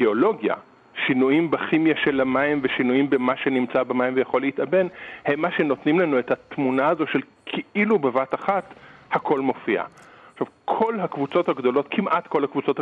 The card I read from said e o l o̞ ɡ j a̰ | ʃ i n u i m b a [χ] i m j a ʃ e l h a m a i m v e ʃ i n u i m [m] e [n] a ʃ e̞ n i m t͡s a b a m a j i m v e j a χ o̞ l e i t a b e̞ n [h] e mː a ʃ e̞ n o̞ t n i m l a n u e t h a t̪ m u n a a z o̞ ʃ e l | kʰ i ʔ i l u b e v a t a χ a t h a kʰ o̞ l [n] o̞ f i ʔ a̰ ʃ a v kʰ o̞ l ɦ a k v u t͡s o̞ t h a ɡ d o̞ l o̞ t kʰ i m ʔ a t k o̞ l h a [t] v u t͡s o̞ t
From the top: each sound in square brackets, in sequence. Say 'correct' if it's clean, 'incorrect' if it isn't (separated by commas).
correct, incorrect, incorrect, correct, incorrect, incorrect